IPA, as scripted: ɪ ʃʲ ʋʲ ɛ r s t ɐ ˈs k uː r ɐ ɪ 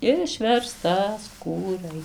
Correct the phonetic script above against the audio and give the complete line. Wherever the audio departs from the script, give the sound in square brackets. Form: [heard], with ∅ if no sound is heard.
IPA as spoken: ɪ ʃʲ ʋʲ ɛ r s t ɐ ˈs k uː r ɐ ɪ